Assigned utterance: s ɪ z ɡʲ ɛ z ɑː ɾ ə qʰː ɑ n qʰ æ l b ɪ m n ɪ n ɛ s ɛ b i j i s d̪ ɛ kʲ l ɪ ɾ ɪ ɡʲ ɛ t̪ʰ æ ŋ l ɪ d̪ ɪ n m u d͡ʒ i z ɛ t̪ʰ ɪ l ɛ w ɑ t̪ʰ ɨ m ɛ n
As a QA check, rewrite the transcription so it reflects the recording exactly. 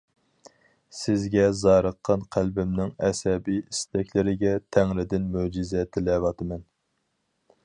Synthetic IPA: s ɪ z ɡʲ ɛ z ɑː ɾ ə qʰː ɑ n qʰ æ l b ɪ m n ɪ ŋ ɛ s ɛ b i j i s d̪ ɛ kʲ l ɪ ɾ ɪ ɡʲ ɛ t̪ʰ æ ŋ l ɪ d̪ ɪ n m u d͡ʒ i z ɛ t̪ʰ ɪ l ɛ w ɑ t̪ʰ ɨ m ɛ n